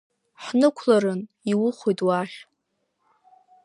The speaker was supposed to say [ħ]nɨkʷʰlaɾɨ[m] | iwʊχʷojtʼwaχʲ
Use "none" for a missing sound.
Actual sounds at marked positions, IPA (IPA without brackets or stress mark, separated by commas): ħ, n